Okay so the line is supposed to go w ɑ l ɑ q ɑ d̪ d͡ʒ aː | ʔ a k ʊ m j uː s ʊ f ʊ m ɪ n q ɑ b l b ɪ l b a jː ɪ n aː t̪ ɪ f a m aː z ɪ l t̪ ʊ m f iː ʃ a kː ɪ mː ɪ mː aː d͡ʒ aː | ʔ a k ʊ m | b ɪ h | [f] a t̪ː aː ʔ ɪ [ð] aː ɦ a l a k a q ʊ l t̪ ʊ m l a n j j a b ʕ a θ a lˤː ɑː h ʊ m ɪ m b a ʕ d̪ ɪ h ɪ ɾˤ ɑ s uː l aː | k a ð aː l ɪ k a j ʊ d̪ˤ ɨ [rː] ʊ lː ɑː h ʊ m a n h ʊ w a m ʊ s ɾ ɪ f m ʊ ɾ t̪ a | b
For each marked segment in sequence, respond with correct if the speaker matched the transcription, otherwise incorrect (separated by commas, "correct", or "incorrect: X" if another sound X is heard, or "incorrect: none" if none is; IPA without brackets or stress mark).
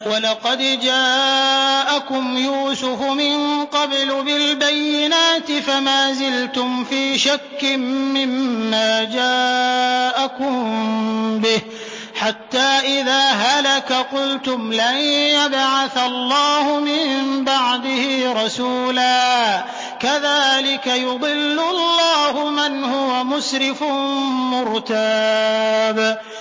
incorrect: ħ, correct, incorrect: lː